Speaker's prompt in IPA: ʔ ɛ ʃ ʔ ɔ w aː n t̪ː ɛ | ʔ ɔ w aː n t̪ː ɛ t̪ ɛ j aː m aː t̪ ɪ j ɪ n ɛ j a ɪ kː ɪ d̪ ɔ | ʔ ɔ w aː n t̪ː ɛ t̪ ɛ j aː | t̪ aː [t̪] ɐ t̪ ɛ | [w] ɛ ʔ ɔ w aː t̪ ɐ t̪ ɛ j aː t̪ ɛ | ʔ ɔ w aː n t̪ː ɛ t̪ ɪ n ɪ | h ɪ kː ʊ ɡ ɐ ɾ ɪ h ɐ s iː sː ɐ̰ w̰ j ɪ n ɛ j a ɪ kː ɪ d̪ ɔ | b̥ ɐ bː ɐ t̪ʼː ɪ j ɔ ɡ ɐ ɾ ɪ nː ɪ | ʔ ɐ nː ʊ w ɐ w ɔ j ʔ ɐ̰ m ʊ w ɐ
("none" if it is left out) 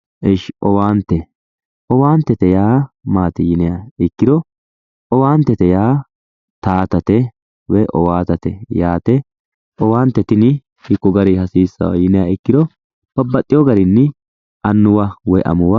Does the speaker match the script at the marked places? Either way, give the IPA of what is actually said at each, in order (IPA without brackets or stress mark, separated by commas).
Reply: t̪, w